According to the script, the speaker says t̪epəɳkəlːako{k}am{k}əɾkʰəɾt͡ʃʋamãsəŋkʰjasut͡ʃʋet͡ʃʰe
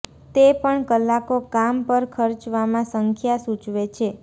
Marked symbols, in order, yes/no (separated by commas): yes, no